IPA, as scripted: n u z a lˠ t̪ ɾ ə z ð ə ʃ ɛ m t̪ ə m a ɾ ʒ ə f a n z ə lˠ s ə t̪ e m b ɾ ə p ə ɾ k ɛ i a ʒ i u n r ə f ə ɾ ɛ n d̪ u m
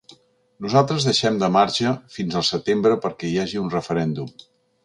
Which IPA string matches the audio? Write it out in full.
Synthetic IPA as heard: n u z a lˠ t̪ ɾ ə z ð ə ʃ ɛ m d̪ ə m a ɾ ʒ ə f i n z ə lˠ s ə t̪ e m b ɾ ə p ə ɾ k ɛ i a ʒ i u n r ə f ə ɾ ɛ n d̪ u m